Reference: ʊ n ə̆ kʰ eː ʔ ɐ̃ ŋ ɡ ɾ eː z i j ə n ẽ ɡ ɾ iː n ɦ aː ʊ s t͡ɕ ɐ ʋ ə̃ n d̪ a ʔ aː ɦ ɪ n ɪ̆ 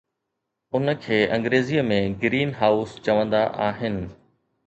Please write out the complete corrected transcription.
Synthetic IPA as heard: ʊ n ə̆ kʰ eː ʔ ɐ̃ ŋ ɡ ɾ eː z i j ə m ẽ ɡ ɾ iː n ɦ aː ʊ s t͡ɕ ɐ ʋ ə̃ n d̪ a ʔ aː ɦ ɪ n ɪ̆